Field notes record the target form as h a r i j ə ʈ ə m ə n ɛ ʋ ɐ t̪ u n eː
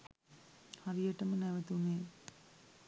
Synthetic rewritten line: h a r i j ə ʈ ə m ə n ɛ ʋ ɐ t̪ u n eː